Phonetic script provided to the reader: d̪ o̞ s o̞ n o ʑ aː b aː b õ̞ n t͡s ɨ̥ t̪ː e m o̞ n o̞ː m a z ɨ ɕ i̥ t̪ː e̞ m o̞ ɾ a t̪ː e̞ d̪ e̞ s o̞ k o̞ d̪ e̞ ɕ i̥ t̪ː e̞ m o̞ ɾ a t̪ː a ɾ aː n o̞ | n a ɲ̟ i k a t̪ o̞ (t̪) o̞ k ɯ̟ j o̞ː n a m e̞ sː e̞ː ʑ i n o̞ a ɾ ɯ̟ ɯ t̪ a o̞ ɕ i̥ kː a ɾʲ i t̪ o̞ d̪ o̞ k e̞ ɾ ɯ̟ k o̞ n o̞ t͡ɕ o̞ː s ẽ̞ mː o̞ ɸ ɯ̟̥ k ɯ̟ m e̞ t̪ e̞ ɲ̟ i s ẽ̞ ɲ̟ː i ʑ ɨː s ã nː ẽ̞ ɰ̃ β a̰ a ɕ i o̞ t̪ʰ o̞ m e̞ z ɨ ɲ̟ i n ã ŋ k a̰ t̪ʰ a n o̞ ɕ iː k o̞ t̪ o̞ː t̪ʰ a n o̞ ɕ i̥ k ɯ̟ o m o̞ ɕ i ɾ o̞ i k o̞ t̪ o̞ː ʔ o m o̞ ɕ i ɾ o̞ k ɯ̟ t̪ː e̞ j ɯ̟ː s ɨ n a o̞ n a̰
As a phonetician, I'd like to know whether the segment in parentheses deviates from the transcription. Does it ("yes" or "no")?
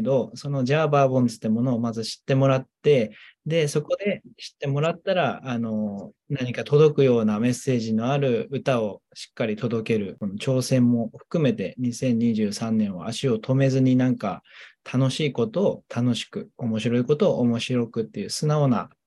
yes